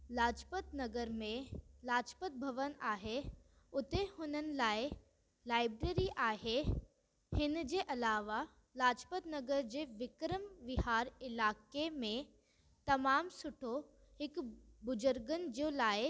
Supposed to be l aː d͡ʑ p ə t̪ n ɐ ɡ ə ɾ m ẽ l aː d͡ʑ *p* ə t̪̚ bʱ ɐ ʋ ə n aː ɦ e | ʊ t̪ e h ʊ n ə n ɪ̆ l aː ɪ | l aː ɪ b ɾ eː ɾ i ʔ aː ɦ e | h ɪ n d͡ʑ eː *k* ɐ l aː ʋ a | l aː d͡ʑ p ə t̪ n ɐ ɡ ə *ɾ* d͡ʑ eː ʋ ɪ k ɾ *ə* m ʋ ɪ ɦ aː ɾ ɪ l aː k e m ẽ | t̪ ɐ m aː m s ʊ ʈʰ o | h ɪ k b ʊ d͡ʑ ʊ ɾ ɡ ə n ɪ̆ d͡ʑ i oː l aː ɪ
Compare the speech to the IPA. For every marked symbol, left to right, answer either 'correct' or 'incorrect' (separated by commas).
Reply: correct, incorrect, correct, correct